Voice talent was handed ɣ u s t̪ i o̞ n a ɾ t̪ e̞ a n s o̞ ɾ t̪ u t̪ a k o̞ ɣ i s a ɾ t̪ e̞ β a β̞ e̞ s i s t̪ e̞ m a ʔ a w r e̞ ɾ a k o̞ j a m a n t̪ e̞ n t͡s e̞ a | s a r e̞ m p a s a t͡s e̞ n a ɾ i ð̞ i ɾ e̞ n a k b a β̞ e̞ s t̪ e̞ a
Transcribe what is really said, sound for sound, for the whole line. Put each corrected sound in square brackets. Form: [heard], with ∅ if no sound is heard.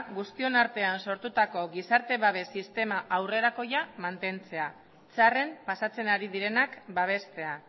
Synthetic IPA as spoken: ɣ u s t̪ i o̞ n a ɾ t̪ e̞ a n s o̞ ɾ t̪ u t̪ a k o̞ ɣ i s a ɾ t̪ e̞ β a β̞ e̞ s i s t̪ e̞ m a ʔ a w r e̞ ɾ a k o̞ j a m a n t̪ e̞ n t͡s e̞ a | [t͡s] a r e̞ m p a s a t͡s e̞ n a ɾ i ð̞ i ɾ e̞ n a k b a β̞ e̞ s t̪ e̞ a